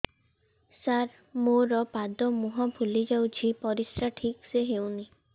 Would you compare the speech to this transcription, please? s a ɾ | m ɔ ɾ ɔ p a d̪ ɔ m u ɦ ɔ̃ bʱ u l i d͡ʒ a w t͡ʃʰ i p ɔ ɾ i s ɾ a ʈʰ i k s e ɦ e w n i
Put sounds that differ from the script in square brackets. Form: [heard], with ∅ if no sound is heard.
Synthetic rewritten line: s a ɾ | m [o] ɾ ɔ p a d̪ ɔ m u ɦ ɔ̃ bʱ u l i d͡ʒ a w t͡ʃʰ i p ɔ ɾ i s ɾ a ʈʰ i k s e ɦ e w n i